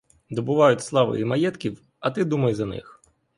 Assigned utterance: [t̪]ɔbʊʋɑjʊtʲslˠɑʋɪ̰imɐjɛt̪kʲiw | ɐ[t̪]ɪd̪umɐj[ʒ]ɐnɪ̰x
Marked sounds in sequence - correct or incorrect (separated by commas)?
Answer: incorrect, correct, incorrect